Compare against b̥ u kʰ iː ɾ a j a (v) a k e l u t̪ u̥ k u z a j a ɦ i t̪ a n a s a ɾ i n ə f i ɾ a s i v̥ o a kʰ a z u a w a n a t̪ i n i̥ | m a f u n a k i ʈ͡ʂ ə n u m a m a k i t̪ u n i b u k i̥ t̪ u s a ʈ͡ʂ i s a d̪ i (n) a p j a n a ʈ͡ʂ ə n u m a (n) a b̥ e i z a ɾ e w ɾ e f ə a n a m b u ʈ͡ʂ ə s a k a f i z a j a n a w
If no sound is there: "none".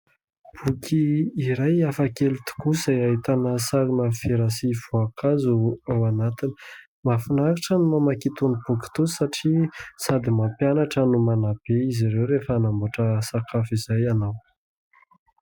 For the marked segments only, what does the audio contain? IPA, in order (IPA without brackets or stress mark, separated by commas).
f, m, n